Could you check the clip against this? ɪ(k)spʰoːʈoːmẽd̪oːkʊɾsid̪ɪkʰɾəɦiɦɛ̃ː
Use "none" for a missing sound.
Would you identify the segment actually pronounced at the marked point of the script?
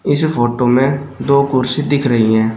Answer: none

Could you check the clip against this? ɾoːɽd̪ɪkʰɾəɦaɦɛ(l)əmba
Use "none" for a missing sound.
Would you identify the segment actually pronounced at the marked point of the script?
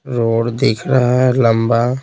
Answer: l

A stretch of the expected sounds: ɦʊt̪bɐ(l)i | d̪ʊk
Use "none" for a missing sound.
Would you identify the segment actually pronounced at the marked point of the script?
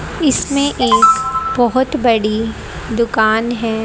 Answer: ɽ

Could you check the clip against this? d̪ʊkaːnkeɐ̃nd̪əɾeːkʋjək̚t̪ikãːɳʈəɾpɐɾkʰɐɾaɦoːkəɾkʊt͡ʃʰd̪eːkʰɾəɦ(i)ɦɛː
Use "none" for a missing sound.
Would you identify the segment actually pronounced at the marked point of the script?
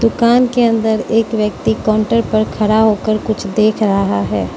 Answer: a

